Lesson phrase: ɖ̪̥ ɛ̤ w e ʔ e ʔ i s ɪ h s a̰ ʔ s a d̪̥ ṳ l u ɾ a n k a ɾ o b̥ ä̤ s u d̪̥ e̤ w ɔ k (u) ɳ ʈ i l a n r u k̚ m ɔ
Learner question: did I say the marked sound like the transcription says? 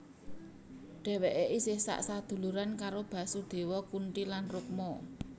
yes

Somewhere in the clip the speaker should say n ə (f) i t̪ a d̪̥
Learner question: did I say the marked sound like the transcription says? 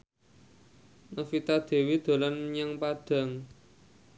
yes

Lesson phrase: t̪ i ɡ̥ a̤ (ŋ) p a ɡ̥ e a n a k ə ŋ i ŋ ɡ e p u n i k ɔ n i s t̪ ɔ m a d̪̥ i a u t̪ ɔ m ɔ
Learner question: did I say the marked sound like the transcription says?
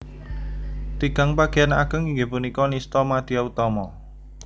yes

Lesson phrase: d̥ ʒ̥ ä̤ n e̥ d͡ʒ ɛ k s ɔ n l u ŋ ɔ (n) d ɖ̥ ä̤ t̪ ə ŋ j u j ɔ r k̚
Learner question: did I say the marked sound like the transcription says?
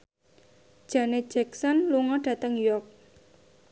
no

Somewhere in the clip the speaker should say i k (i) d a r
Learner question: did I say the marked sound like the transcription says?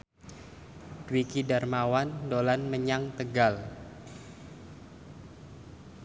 yes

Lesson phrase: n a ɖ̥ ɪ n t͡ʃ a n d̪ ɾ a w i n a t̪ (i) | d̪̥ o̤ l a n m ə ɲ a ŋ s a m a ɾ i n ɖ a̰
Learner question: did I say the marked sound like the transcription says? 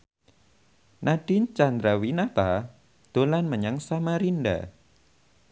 no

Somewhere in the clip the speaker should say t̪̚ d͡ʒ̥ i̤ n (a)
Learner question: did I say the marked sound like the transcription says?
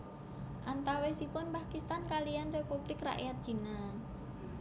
yes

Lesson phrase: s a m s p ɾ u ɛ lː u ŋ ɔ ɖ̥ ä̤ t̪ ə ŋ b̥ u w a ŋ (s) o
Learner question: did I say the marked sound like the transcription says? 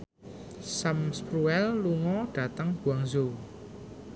no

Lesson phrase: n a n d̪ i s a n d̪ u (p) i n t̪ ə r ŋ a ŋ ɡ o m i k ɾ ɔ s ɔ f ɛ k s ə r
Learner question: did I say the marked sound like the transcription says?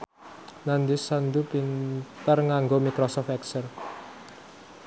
yes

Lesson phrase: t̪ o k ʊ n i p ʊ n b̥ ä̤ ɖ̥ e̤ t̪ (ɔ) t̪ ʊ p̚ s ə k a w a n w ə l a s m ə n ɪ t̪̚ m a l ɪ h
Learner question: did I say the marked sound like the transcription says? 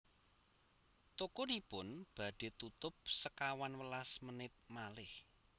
no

